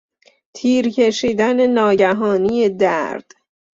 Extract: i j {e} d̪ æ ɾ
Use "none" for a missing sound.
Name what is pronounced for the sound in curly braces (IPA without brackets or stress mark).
e